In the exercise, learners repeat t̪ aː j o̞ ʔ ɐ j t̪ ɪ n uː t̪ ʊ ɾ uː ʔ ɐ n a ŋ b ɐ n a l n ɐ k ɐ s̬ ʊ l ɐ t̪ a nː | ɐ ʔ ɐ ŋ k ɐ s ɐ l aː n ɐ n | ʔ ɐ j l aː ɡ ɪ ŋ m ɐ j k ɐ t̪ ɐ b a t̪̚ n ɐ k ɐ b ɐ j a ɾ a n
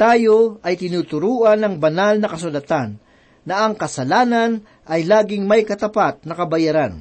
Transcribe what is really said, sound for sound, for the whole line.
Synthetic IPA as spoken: t̪ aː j o̞ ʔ ɐ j t̪ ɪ n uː t̪ ʊ ɾ uː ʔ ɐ n ɐ ŋ b ɐ n a l n ɐ k ɐ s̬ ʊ l ɐ t̪ a nː | ɐ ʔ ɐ ŋ k ɐ s ɐ l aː n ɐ n | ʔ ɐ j l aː ɡ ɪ ŋ m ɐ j k ɐ t̪ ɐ p a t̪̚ n ɐ k ɐ b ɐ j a ɾ a n